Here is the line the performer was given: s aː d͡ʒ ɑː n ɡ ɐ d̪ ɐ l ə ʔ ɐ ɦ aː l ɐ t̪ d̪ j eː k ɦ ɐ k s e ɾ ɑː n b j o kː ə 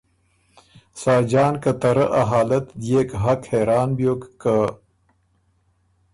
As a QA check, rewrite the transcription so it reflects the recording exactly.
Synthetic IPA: s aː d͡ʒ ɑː n k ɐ t̪ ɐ ɾ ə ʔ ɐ ɦ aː l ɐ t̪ d̪ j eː k ɦ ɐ k h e ɾ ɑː n b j o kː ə